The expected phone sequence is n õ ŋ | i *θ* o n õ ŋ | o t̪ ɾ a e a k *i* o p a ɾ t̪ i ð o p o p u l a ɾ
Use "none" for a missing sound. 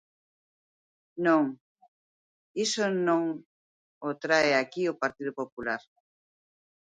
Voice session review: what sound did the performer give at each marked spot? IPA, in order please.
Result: s, i

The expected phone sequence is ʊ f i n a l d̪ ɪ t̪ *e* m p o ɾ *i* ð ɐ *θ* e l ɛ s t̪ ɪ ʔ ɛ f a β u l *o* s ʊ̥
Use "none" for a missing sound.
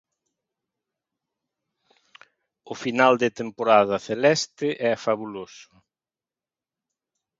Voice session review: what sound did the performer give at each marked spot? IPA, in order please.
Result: e, a, θ, o

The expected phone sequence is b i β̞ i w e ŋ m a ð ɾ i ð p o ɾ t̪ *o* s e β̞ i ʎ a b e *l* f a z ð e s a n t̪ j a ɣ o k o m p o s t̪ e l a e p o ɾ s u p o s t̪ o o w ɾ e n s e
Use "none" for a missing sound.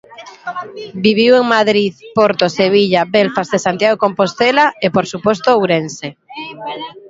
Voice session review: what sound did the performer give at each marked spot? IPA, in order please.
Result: o, l

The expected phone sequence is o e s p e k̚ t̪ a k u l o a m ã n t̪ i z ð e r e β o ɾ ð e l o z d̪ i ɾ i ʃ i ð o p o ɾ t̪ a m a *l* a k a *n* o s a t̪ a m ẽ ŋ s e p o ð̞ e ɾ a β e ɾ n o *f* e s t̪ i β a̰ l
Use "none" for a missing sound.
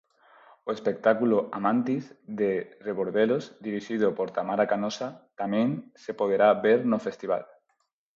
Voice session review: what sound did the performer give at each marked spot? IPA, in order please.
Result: ɾ, n, f

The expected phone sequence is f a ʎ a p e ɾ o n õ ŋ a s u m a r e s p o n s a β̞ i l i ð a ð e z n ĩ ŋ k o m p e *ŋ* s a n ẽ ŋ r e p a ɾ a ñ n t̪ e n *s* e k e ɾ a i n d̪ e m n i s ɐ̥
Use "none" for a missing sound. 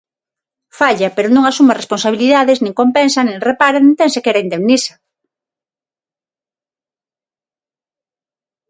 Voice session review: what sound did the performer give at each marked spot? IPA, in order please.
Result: n, s

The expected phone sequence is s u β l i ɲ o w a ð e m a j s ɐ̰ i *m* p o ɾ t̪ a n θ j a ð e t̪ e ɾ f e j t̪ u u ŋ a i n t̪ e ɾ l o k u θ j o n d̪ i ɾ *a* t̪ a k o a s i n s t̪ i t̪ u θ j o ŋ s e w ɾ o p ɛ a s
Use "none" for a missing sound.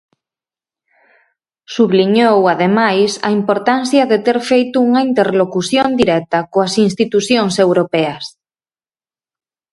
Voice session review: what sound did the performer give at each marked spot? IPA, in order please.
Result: m, ɛ

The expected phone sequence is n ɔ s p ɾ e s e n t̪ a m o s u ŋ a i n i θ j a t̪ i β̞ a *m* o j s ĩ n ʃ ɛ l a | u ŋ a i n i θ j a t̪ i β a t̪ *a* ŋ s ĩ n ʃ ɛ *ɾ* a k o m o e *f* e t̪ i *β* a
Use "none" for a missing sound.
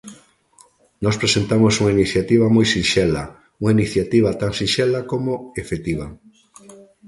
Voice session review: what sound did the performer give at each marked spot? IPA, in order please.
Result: m, a, l, f, β

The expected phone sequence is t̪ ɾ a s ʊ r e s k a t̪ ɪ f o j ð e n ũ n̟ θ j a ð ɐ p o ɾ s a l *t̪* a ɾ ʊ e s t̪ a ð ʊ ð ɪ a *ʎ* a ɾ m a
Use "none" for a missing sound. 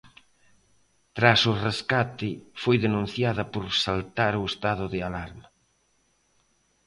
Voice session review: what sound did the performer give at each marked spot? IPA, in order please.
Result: t̪, l

